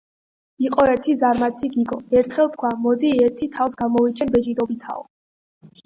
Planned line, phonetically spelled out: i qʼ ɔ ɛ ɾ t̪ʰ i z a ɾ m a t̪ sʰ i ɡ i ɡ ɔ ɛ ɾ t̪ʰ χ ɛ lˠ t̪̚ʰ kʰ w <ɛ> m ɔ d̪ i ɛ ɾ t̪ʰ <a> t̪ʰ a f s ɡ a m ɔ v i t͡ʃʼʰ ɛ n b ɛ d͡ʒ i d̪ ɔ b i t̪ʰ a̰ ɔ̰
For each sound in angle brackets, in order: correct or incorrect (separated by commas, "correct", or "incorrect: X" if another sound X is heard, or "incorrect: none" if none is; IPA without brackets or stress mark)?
incorrect: a, incorrect: i